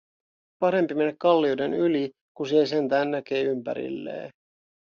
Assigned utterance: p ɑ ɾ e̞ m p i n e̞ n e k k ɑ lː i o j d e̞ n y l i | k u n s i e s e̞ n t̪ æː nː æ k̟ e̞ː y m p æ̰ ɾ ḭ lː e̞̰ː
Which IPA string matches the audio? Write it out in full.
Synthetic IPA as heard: p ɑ ɾ e̞ m p i m e̞ n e k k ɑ lː i o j d e̞ n y l i | k u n s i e s e̞ n t̪ æː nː æ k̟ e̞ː y m p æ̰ ɾ ḭ lː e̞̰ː